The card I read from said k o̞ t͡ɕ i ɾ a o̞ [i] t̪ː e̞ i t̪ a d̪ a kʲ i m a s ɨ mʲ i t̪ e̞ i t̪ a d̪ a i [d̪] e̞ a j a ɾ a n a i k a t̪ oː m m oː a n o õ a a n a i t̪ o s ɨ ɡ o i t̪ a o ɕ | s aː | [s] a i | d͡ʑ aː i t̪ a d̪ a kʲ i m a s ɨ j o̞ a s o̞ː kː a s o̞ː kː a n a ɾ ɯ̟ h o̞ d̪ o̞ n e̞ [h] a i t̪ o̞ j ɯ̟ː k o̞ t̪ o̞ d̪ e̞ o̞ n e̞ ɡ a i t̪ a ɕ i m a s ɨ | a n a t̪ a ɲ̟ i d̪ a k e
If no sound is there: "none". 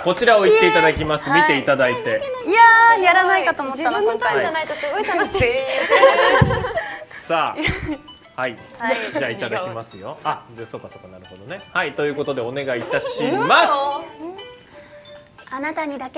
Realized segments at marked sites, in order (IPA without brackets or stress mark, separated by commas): i, t̪, h, h